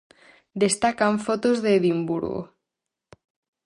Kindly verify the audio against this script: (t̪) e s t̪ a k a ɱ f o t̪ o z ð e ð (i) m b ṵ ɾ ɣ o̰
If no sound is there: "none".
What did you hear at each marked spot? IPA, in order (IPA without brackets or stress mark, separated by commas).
d̪, i